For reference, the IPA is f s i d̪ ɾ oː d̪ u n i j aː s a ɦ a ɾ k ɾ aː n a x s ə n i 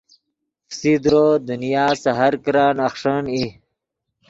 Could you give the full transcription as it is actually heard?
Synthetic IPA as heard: f s i d̪ ɾ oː d̪ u n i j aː s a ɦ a ɾ k ɾ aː n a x ʂ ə n i